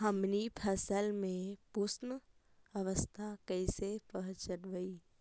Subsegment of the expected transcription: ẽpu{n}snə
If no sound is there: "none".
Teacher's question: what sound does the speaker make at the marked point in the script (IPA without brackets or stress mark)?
none